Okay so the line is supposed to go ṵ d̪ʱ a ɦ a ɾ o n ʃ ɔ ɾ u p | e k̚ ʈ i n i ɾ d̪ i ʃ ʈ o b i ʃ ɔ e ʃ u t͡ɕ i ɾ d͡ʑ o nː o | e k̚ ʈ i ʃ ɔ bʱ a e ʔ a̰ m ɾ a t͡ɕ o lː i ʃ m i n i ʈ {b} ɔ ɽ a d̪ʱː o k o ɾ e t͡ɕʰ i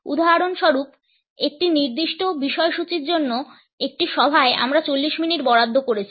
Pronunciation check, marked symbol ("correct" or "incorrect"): correct